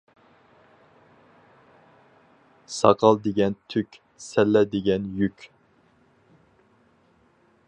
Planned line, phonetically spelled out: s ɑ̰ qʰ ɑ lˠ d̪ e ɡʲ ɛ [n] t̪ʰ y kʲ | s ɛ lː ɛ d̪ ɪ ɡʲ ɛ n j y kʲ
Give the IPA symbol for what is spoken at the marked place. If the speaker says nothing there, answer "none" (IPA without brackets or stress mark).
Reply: n